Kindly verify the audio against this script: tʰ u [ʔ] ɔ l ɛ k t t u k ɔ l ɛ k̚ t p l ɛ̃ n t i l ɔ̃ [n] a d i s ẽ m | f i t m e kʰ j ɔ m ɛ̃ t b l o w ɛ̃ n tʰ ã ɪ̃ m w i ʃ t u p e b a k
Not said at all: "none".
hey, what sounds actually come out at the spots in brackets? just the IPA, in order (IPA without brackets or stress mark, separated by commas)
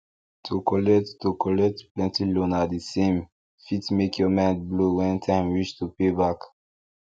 k, n